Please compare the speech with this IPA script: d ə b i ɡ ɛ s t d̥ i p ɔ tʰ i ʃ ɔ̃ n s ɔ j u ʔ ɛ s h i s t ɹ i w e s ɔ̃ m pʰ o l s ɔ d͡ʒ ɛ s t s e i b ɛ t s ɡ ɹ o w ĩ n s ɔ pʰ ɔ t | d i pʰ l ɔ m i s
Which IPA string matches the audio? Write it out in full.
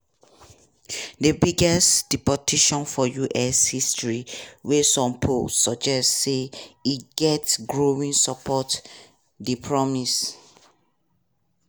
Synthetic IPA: d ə b i ɡ ɛ s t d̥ i p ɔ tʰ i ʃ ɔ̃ n f ɔ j u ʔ ɛ s h i s t ɹ i w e s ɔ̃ m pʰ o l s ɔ d͡ʒ ɛ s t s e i ɡ ɛ t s ɡ ɹ o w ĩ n s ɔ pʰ ɔ t | d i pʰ ɹ ɔ m i s